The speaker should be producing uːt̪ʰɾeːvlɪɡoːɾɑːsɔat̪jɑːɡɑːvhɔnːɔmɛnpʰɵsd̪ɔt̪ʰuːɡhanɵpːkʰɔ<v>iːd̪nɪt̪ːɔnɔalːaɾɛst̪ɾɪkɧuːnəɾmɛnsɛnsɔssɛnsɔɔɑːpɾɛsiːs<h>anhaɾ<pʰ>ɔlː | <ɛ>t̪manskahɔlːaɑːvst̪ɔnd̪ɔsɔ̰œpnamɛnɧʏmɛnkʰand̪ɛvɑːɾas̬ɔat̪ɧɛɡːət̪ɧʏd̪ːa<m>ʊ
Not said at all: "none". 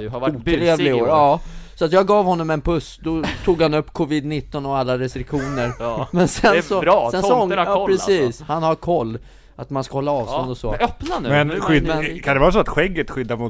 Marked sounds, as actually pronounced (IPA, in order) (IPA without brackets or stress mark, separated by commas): v, h, kʰ, a, m